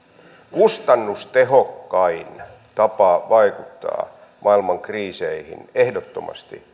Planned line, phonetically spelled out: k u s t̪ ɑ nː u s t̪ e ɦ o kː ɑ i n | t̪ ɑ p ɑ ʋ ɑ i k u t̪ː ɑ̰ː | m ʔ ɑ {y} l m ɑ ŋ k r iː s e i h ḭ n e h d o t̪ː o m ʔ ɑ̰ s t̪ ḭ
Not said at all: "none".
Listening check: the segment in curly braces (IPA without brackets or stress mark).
i